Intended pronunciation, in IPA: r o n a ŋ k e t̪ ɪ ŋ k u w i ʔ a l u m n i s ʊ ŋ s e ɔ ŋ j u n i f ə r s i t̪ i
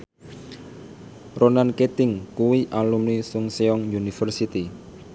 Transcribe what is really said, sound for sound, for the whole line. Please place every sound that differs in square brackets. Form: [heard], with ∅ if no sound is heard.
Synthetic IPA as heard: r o n a [n] k e t̪ ɪ ŋ k u w i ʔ a l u m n i s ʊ ŋ s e ɔ ŋ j u n i f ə r s i t̪ i